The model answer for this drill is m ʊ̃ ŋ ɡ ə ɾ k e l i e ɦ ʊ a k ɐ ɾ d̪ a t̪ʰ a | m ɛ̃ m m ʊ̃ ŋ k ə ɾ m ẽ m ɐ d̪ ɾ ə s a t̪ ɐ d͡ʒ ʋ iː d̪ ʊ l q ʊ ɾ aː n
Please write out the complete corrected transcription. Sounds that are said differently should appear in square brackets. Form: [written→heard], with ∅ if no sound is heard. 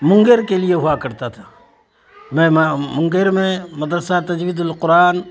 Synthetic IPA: m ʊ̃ ŋ ɡ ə ɾ k e l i e ɦ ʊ a k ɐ ɾ [d̪→t̪] a t̪ʰ a | m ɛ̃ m m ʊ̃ ŋ [k→ɡ] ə ɾ m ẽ m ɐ d̪ ɾ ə s a t̪ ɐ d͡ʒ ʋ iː d̪ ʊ l q ʊ ɾ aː n